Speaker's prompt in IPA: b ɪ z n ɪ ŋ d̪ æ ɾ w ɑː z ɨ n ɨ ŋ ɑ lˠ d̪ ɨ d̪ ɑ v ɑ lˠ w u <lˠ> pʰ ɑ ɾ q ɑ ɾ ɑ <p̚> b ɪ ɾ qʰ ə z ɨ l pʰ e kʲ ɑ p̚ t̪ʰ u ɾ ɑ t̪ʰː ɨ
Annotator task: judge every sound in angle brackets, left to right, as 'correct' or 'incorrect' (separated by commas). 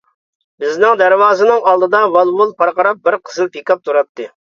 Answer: correct, correct